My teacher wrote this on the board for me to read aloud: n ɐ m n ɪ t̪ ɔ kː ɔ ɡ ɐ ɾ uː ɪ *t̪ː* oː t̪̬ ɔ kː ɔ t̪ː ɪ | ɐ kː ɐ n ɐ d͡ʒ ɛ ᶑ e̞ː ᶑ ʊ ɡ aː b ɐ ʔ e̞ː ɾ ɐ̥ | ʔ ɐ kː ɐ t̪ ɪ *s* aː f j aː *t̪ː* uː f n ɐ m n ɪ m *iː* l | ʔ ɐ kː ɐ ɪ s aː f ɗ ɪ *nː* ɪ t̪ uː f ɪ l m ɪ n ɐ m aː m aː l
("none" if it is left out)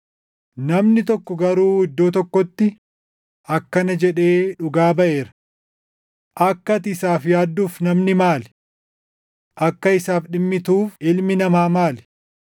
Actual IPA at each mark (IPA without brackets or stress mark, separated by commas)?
d̪ː, s, d̪ː, aː, mː